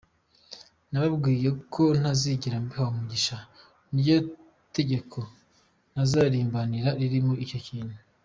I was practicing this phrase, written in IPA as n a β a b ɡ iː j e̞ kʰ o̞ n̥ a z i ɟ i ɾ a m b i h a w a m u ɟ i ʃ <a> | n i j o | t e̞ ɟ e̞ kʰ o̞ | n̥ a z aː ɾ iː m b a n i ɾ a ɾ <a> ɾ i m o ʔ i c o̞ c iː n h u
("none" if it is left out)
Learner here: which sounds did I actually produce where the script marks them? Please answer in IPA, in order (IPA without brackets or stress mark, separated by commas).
a, i